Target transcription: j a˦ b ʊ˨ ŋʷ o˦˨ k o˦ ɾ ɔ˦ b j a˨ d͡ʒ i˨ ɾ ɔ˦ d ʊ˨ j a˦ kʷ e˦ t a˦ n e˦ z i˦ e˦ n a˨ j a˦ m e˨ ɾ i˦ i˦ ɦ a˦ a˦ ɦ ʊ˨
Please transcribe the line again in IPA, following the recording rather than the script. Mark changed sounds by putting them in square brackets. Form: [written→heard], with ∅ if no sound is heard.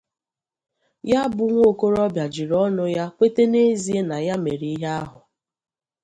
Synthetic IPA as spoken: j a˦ b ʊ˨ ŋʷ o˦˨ k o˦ ɾ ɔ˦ b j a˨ d͡ʒ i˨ ɾ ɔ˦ [d→n] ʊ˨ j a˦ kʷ e˦ t [a˦→e˦] n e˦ z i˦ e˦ n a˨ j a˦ m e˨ ɾ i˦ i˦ ɦ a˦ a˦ ɦ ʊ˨